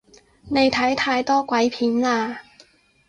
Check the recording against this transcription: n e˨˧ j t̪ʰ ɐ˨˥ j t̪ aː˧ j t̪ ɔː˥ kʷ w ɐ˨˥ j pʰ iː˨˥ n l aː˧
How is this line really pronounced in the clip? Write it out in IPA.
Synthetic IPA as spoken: n e˨˧ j t̪ʰ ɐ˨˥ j t̪ʰ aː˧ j t̪ ɔː˥ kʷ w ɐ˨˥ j pʰ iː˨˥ n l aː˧